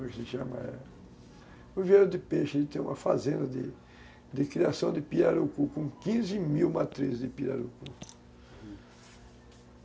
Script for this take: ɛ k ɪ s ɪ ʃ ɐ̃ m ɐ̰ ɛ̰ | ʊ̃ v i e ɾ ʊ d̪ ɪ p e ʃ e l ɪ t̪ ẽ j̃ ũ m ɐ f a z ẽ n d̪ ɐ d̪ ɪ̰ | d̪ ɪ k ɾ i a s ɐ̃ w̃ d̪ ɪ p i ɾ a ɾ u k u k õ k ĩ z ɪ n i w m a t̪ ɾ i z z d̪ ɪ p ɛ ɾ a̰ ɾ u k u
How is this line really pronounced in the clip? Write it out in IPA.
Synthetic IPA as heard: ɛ k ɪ s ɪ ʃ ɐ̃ m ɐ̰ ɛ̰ | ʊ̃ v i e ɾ ʊ d̪ ɪ p e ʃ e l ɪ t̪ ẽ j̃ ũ m ɐ f a z ẽ n d̪ ɐ d̪ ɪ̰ | d̪ ɪ k ɾ i a s ɐ̃ w̃ d̪ ɪ p i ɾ a ɾ u k u k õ k ĩ z ɪ m i w m a t̪ ɾ i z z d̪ ɪ p i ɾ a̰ ɾ u k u